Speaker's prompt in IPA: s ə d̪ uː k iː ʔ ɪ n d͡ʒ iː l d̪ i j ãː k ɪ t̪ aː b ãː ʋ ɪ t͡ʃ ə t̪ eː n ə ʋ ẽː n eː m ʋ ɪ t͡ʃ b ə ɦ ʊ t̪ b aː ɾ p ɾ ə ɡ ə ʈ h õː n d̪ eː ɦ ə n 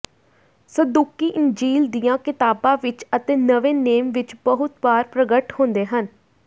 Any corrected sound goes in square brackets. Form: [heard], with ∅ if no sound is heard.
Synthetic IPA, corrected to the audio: s ə d̪ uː k iː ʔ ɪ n d͡ʒ iː l d̪ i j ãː k ɪ t̪ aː b ãː ʋ ɪ t͡ʃ ə t̪ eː n ə ʋ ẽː n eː m ʋ ɪ t͡ʃ b ə ɦ ʊ t̪ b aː ɾ p ɾ ə ɡ ə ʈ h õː n d̪ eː ɦ ə n